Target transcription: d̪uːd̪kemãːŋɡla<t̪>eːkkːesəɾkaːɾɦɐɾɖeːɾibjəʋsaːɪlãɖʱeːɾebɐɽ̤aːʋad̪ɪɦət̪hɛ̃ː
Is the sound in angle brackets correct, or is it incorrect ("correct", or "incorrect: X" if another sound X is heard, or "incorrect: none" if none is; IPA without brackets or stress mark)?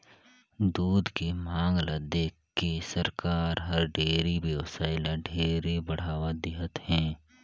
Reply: incorrect: d̪